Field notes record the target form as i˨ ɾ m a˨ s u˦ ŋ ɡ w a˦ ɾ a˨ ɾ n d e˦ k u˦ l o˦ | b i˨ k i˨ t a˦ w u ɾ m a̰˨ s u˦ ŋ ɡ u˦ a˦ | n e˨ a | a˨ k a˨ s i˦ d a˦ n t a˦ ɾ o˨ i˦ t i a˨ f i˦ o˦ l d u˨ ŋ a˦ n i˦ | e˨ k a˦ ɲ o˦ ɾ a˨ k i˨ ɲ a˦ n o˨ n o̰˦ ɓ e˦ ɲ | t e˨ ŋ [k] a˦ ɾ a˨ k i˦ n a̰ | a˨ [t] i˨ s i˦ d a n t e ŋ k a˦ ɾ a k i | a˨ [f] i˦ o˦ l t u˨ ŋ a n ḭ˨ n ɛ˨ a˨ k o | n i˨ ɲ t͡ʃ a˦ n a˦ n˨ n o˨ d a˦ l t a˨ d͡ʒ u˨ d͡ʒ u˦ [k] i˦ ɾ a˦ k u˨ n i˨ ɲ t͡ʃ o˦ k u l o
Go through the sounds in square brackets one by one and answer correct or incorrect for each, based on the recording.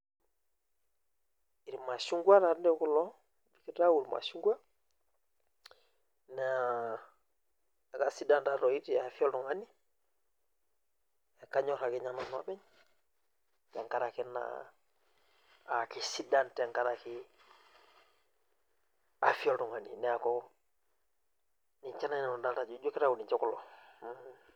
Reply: correct, incorrect: k, correct, correct

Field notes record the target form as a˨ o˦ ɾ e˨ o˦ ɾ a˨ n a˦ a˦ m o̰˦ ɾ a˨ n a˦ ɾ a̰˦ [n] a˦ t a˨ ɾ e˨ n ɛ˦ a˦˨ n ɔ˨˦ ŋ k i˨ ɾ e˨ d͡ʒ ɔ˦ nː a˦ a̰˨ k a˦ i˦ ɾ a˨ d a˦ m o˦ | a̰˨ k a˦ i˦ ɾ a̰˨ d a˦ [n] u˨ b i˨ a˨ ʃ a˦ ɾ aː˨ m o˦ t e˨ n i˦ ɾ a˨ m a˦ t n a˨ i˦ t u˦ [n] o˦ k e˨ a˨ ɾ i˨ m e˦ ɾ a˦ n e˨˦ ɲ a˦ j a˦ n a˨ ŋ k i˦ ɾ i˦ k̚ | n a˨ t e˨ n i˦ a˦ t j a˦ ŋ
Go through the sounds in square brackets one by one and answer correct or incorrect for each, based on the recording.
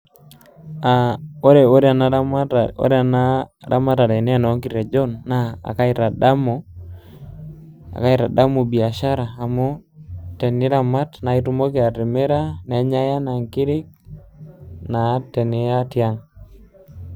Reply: incorrect: m, incorrect: m, incorrect: m

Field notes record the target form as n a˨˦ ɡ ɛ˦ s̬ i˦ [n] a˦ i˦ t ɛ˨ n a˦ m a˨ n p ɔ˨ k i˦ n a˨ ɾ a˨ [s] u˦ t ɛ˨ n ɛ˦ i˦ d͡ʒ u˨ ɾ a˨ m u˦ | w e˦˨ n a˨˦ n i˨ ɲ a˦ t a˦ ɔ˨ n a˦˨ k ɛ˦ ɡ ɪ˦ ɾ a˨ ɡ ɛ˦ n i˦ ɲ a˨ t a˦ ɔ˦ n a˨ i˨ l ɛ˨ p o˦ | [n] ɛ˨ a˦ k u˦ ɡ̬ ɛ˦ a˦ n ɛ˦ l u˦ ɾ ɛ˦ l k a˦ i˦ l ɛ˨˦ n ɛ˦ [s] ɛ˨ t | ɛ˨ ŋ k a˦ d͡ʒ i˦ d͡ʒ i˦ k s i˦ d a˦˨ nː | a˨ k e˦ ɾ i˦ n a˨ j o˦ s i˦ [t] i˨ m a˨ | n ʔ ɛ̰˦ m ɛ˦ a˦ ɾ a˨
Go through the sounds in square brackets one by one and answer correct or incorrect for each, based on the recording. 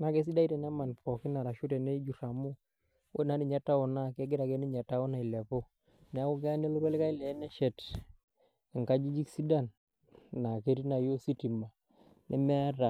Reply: incorrect: d, incorrect: ʃ, correct, incorrect: ʃ, correct

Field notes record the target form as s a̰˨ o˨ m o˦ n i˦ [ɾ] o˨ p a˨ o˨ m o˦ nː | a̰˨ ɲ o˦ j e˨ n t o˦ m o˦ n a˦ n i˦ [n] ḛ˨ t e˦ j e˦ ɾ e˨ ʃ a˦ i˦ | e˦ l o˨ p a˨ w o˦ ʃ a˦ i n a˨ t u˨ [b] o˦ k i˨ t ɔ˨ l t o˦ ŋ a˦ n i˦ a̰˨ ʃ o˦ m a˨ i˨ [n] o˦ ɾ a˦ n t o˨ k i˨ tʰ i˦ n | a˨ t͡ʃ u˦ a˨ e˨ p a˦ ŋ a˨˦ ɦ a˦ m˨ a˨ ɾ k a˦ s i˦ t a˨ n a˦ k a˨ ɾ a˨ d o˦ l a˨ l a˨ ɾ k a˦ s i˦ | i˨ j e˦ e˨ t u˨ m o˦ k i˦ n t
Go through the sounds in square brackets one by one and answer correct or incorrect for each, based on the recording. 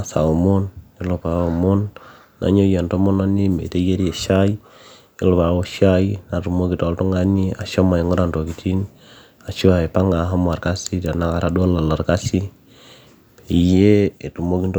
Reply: incorrect: l, incorrect: m, incorrect: m, incorrect: ŋ

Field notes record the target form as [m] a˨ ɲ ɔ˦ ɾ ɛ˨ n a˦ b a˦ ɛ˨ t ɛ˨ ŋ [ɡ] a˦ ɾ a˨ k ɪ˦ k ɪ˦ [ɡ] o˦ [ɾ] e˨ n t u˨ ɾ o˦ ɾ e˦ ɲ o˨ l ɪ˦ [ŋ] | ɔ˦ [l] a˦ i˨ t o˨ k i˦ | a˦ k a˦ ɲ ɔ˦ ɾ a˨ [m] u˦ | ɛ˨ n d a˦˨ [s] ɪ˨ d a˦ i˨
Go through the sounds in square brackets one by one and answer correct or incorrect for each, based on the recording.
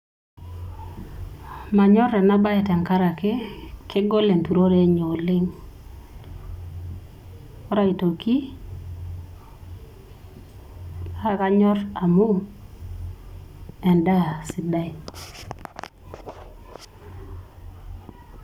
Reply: correct, incorrect: k, correct, incorrect: l, correct, incorrect: ɾ, correct, correct

